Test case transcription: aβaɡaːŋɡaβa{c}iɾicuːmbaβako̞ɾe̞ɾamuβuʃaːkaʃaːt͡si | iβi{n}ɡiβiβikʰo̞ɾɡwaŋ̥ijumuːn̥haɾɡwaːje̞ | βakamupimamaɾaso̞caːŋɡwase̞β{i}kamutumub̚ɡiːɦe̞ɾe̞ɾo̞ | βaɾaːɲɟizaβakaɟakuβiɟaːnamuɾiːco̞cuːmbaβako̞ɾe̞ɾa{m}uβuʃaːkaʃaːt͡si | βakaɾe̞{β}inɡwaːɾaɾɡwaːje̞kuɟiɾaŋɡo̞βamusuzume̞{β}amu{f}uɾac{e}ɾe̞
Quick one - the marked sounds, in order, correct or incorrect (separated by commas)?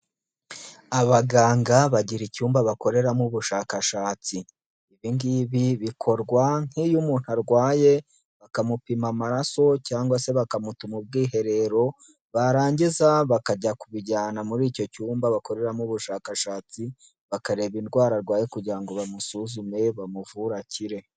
incorrect, incorrect, incorrect, correct, correct, correct, incorrect, incorrect